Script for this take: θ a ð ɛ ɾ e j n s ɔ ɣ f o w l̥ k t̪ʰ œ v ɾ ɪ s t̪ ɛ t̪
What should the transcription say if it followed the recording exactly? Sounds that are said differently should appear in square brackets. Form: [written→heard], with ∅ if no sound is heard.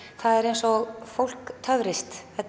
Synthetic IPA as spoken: θ a ð ɛ ɾ e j n s ɔ ɣ f o w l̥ k t̪ʰ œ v ɾ ɪ s t̪ ɛ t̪